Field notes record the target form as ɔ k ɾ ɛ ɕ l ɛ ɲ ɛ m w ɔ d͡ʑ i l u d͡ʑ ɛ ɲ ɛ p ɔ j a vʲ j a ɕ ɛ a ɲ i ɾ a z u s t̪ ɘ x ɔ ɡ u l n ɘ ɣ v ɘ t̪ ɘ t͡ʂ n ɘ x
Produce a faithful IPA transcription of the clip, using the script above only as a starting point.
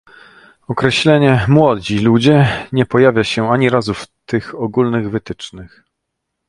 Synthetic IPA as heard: ɔ k ɾ ɛ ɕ l ɛ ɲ ɛ m w ɔ d͡ʑ i l u d͡ʑ ɛ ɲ ɛ p ɔ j a vʲ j a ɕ ɛ a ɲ i ɾ a z u f t̪ ɘ x ɔ ɡ u l n ɘ ɣ v ɘ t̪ ɘ t͡ʂ n ɘ x